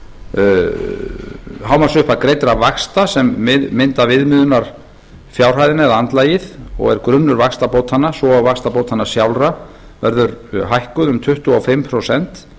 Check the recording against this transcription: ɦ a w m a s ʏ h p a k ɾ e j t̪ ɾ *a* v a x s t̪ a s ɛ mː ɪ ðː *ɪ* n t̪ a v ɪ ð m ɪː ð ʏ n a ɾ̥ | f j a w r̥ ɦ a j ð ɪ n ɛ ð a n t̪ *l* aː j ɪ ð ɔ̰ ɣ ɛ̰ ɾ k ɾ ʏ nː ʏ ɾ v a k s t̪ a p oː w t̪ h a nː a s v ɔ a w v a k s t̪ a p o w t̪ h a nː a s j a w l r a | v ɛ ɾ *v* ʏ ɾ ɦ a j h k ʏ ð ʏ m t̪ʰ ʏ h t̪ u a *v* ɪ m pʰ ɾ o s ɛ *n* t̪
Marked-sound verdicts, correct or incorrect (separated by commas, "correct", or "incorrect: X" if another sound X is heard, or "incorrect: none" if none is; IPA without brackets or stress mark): correct, correct, correct, incorrect: ð, incorrect: f, correct